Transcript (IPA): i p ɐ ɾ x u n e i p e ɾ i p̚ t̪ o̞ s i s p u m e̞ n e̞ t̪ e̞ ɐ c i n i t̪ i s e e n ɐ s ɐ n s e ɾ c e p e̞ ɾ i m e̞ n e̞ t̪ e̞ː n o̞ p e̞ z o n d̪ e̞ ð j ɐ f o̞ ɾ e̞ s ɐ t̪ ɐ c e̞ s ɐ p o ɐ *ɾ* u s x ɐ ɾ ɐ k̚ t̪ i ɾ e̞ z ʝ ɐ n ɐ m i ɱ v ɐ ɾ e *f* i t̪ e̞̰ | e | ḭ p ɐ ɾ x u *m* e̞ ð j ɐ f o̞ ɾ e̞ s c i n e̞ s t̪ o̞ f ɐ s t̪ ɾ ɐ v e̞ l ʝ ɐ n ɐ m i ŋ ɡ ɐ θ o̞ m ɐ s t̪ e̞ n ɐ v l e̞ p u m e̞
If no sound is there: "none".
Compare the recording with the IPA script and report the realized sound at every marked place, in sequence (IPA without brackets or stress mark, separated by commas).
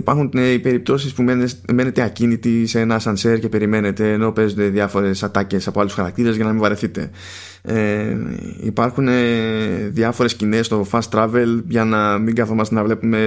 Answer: l, θ, n